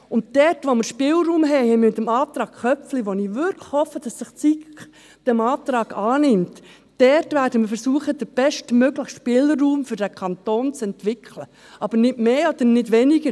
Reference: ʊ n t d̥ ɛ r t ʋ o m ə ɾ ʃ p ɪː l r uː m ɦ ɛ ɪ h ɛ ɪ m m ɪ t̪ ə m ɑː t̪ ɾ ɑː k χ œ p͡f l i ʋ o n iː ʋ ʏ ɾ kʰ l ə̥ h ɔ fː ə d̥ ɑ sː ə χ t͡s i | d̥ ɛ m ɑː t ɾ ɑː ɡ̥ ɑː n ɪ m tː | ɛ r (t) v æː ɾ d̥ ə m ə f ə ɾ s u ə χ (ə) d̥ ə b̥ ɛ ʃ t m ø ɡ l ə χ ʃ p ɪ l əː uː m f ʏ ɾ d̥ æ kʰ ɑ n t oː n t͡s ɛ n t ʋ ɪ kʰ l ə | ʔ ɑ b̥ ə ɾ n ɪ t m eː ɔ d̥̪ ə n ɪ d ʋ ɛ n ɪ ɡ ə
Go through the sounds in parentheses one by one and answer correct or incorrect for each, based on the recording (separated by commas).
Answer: correct, correct